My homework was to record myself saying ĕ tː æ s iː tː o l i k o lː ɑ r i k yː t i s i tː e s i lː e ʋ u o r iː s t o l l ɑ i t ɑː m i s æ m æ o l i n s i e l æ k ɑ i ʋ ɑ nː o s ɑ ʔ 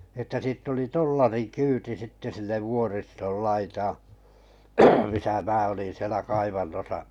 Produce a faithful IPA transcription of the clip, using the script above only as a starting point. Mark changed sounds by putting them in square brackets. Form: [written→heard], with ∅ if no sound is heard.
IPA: ĕ tː æ s iː tː o l i [k→t] o lː ɑ r i k yː t i s i tː e s i lː e ʋ u o r [iː→i] s t o l l ɑ i t ɑː m i s æ m [æ→æː] o l i n s i e l æ k ɑ i ʋ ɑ nː o s ɑ ʔ